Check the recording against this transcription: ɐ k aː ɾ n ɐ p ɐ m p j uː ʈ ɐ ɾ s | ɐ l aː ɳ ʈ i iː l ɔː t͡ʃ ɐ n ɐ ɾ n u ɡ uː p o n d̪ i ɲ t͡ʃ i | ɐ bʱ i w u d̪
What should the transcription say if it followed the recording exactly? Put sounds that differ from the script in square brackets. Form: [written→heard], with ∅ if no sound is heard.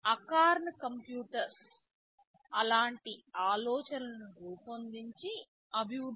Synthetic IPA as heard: ɐ k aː ɾ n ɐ [p→k] ɐ m p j uː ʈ ɐ ɾ s | ɐ l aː ɳ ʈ i [iː→aː] l ɔː t͡ʃ ɐ n ɐ [ɾ→∅] n u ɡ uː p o n d̪ i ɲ t͡ʃ i | ɐ bʱ i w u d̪

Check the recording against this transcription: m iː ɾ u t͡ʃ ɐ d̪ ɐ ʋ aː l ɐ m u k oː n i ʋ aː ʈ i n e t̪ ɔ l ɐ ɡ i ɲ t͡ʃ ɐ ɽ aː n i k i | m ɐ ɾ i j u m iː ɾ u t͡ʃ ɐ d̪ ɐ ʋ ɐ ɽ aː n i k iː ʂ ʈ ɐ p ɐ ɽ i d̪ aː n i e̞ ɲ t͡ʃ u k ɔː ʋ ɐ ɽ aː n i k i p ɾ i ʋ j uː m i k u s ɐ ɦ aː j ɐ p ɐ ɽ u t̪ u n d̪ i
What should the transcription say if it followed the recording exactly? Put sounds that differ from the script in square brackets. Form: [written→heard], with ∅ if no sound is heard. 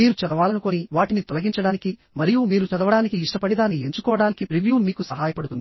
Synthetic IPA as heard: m iː ɾ u t͡ʃ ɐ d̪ ɐ ʋ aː l ɐ [m→n] u k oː n i ʋ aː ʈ i n [e→i] t̪ ɔ l ɐ ɡ i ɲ t͡ʃ ɐ ɽ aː n i k i | m ɐ ɾ i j u m iː ɾ u t͡ʃ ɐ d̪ ɐ ʋ ɐ ɽ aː n i k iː ʂ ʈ ɐ p ɐ ɽ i d̪ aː n i e̞ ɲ t͡ʃ u k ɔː ʋ ɐ ɽ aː n i k i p ɾ i ʋ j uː m [i→iː] k u s ɐ ɦ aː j ɐ p ɐ ɽ u t̪ u n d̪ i

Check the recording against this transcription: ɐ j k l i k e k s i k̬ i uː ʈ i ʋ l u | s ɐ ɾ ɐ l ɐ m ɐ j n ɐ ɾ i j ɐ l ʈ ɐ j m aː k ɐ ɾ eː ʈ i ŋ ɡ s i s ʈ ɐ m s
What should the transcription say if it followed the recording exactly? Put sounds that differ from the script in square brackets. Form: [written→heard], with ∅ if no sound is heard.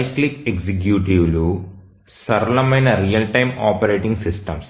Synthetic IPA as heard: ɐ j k l i k e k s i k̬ [i→j] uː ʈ i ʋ l u | s ɐ ɾ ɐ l ɐ m ɐ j n ɐ ɾ i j ɐ l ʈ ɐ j m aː [k→p] ɐ ɾ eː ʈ i ŋ ɡ s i s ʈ ɐ m s

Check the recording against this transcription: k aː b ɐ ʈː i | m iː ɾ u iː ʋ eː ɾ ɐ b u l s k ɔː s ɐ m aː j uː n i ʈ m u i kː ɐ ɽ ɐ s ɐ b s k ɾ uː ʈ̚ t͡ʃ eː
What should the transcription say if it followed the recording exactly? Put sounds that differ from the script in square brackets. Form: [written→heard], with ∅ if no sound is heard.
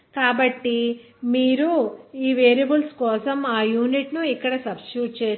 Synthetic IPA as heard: k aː b ɐ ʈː i | m iː ɾ u iː ʋ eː ɾ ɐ b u l s k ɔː s ɐ m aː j uː n i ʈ [m→n] u i kː ɐ ɽ ɐ s ɐ b s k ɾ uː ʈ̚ t͡ʃ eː

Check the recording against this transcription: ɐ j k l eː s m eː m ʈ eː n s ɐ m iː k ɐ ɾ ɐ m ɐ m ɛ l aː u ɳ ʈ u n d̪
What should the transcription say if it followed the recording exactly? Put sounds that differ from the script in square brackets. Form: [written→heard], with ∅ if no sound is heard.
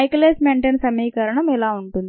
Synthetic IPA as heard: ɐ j k l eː s m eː [m→ɳ] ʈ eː n s ɐ m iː k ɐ ɾ ɐ [m→ɳ] ɐ m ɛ l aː u ɳ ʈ u n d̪

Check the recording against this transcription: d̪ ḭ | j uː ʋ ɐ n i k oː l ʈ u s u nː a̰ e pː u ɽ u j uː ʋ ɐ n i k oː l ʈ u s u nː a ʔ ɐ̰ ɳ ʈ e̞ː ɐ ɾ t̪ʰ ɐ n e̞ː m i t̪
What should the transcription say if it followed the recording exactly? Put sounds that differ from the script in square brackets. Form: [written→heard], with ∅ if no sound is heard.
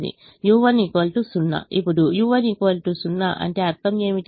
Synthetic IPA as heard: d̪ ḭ | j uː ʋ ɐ n i k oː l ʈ u s u nː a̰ [e→i] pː u ɽ u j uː ʋ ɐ n i k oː l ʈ u s u nː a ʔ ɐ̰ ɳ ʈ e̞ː ɐ ɾ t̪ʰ ɐ [n→m] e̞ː m i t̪

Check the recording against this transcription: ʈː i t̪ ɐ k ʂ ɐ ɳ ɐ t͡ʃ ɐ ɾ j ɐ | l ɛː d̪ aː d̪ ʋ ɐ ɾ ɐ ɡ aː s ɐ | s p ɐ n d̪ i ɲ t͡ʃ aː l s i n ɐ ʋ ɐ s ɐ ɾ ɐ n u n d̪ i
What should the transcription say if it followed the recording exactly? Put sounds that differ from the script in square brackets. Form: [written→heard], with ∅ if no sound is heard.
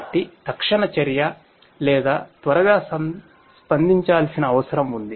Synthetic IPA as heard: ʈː i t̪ ɐ k ʂ ɐ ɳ ɐ t͡ʃ ɐ ɾ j ɐ | l ɛː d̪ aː [d̪→t̪] ʋ ɐ ɾ ɐ ɡ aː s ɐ | s p ɐ n d̪ i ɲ t͡ʃ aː l s i n [ɐ→ɐː] ʋ ɐ s ɐ ɾ ɐ [n→m] u n d̪ i

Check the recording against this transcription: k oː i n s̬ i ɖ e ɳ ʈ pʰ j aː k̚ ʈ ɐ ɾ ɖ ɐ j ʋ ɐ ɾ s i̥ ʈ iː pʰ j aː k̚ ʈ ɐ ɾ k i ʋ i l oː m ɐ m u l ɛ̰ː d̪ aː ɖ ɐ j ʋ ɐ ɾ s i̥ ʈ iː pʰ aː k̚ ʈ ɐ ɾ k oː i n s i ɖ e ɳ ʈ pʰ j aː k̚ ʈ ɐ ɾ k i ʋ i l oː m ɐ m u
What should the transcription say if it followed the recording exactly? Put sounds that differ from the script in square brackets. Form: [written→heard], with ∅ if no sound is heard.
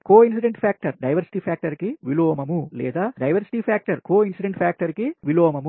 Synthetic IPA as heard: k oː i n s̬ i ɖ e ɳ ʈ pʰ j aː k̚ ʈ ɐ ɾ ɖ ɐ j ʋ ɐ ɾ s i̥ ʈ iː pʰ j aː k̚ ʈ ɐ ɾ k i ʋ i l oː m ɐ m u l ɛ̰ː d̪ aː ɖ ɐ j ʋ ɐ ɾ s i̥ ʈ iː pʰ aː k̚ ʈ ɐ ɾ k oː i n s i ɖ e ɳ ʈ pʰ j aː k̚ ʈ ɐ ɾ k i ʋ i l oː m ɐ m u

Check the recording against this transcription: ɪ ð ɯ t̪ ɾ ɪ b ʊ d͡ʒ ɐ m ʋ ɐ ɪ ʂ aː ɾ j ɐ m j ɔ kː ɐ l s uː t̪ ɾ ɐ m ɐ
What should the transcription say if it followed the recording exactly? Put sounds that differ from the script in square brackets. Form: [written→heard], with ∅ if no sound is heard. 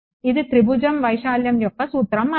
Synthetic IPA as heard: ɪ ð ɯ t̪ ɾ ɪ b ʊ d͡ʒ ɐ m ʋ ɐ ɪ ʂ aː [ɾ→l] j ɐ m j ɔ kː ɐ [l→∅] s uː t̪ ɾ ɐ m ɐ

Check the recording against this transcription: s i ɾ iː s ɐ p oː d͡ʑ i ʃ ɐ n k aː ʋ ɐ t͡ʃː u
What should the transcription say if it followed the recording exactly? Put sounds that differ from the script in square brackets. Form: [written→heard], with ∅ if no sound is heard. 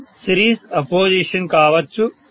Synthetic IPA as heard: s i ɾ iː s ɐ p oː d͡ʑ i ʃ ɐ n k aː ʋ ɐ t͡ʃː u

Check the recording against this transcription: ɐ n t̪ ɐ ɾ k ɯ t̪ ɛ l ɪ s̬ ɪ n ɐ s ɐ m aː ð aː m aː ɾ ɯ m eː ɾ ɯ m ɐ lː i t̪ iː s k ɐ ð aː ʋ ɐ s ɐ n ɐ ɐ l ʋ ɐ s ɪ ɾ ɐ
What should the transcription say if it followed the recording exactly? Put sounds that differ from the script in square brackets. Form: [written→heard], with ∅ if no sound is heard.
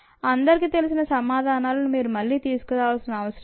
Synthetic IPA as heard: ɐ n [t̪→d̪] ɐ ɾ k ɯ t̪ ɛ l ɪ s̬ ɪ n ɐ s ɐ m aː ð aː [m→n] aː [ɾ→l] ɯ m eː ɾ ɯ m ɐ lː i t̪ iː s k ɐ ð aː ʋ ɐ s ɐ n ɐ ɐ [l→∅] ʋ ɐ s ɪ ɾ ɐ

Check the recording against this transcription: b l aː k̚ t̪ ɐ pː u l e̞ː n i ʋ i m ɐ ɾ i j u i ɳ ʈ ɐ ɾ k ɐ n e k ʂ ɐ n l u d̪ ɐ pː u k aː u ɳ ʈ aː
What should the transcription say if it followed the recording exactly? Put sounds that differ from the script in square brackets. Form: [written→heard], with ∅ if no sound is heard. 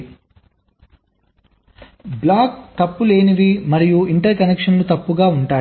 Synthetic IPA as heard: b l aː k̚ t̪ ɐ pː u l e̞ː n i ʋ i m ɐ ɾ i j u i ɳ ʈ ɐ ɾ k ɐ n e k ʂ ɐ n l u [d̪→t̪] ɐ pː u [k→ɡ] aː u ɳ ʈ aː

